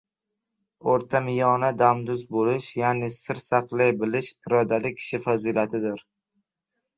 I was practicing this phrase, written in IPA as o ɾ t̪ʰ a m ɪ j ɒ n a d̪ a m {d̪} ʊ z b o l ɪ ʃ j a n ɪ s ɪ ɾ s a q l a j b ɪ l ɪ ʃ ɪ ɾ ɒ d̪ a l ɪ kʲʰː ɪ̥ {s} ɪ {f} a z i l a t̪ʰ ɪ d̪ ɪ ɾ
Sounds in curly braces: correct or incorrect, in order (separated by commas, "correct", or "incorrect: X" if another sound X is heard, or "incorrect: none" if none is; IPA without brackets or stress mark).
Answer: correct, incorrect: ʃ, correct